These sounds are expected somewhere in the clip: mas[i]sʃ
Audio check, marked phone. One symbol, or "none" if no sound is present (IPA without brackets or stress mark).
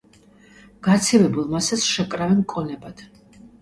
a